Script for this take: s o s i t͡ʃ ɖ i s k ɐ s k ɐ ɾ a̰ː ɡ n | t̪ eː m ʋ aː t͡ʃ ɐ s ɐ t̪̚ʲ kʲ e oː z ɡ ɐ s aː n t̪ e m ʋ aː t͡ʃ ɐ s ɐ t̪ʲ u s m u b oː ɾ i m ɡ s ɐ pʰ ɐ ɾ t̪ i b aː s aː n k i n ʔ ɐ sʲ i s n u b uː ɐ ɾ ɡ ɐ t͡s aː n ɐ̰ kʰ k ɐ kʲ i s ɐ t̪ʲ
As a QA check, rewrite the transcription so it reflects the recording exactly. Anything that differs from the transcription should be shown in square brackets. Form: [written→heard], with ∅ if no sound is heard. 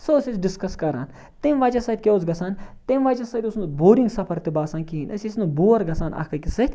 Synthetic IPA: s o s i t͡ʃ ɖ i s k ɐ s k ɐ ɾ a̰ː [ɡ→∅] n | t̪ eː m ʋ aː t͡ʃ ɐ s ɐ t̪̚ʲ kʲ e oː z ɡ ɐ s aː n t̪ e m ʋ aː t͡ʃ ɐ s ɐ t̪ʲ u s [m→n] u b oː ɾ i [m→ŋ] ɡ s ɐ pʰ ɐ ɾ t̪ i b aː s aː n k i n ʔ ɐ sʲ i s n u b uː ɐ ɾ ɡ ɐ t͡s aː n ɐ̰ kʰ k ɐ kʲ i s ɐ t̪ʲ